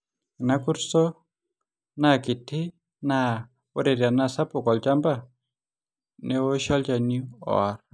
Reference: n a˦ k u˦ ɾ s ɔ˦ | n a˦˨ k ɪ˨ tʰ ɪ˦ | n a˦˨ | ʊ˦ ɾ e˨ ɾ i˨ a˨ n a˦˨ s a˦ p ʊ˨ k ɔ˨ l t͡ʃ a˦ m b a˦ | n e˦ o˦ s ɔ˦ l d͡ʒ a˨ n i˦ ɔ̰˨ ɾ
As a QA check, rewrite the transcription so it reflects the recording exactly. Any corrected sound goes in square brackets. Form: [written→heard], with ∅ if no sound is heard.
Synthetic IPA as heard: n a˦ k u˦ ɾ s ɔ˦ | n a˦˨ k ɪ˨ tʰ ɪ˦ | n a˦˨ | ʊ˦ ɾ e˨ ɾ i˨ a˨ n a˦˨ s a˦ p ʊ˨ k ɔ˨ l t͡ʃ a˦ m b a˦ | n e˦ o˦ [s→ʃ] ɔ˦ l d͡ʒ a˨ n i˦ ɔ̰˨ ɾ